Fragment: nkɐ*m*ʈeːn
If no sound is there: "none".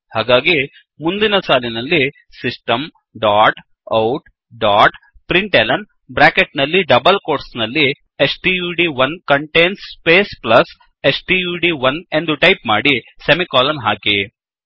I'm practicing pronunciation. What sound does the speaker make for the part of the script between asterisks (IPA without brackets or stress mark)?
ɳ